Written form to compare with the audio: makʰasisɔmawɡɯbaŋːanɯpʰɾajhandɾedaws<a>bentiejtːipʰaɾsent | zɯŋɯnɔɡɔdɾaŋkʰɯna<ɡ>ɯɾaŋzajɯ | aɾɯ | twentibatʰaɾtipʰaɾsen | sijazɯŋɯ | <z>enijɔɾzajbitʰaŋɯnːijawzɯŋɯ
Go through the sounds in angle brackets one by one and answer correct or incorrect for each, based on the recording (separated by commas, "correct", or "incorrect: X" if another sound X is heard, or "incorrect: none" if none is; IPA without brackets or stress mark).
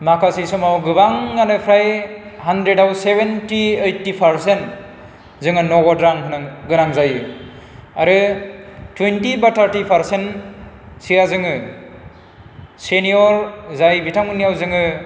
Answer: incorrect: e, correct, incorrect: s